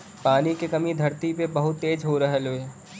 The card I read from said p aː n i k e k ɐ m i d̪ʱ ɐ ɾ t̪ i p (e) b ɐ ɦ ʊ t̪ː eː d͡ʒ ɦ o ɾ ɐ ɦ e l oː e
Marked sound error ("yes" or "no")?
no